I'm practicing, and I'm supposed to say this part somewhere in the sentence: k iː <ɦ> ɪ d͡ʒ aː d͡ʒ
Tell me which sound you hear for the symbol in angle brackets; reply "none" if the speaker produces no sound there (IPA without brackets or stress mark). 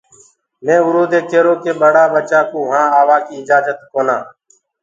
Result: none